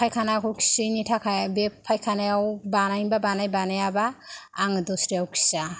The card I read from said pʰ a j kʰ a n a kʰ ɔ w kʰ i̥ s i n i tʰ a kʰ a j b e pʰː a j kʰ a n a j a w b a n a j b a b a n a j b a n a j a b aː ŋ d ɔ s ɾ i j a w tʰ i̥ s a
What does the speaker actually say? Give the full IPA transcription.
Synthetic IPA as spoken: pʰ a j kʰ a n a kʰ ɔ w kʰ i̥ s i n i tʰ a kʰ a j b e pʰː a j kʰ a n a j a w b a n a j b a b a n a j b a n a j a b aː ŋ d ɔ s ɾ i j a w kʰ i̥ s a